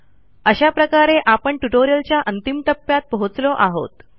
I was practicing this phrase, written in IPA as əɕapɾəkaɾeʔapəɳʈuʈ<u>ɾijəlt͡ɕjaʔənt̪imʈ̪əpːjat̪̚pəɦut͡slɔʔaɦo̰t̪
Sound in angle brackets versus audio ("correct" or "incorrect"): incorrect